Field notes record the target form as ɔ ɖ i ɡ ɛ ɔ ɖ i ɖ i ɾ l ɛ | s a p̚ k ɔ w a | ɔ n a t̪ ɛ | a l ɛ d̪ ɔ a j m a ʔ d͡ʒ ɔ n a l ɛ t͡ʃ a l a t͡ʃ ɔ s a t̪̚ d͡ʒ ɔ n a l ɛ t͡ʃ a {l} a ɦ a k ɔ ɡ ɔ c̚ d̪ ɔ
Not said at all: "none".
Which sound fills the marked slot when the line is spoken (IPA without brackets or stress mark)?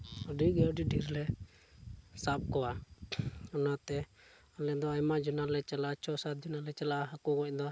l